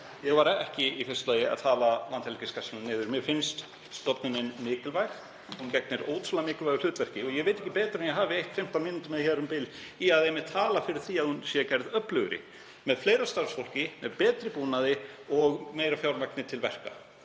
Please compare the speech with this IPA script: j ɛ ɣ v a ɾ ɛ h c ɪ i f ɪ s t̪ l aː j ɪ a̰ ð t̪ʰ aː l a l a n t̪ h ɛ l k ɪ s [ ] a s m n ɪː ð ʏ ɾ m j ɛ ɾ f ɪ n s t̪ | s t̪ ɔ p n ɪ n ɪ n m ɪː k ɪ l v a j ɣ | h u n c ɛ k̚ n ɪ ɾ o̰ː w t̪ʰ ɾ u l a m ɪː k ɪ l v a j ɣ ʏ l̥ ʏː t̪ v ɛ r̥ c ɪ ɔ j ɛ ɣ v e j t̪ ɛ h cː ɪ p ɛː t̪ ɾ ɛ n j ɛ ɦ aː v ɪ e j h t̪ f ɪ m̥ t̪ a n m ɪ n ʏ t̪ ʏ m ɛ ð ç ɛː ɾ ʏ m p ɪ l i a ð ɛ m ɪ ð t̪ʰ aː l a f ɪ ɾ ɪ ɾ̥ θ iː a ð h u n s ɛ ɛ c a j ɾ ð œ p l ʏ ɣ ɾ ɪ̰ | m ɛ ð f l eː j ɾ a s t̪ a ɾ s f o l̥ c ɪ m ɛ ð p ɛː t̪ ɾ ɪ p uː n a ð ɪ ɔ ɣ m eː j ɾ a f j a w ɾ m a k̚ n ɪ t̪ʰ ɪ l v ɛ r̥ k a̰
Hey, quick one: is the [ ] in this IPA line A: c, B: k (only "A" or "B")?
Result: B